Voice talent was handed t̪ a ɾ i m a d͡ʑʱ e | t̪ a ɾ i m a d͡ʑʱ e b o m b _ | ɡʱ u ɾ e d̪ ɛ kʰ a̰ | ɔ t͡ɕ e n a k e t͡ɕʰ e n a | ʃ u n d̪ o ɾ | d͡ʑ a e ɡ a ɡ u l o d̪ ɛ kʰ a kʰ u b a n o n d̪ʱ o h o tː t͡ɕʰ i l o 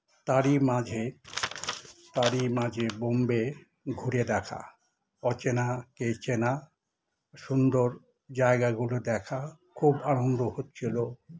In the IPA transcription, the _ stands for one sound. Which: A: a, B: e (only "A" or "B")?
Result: B